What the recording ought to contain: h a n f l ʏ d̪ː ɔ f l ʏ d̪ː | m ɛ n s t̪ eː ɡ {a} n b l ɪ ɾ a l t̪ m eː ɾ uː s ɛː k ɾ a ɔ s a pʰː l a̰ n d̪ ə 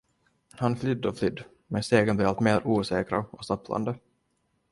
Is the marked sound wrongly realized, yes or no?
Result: yes